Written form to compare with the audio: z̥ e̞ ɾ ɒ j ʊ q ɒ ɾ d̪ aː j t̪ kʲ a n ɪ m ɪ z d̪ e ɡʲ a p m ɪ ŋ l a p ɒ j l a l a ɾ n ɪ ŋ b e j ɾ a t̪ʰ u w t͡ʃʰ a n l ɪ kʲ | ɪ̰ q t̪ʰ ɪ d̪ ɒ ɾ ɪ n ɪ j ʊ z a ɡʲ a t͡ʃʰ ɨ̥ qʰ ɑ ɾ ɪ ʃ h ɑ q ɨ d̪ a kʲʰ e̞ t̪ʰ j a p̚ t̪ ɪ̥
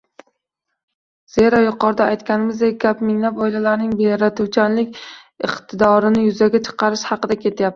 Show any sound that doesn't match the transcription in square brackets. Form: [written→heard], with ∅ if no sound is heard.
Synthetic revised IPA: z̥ e̞ ɾ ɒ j ʊ q ɒ ɾ d̪ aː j t̪ kʲ a n ɪ m ɪ z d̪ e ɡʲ a p m ɪ ŋ l a p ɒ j l a l a ɾ n ɪ ŋ b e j ɾ a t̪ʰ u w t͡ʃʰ a n l ɪ kʲ | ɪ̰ q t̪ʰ ɪ d̪ ɒ ɾ ɪ n ɪ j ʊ z a ɡʲ a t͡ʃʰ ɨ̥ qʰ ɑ ɾ ɪ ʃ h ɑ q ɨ d̪ a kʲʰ e̞ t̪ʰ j a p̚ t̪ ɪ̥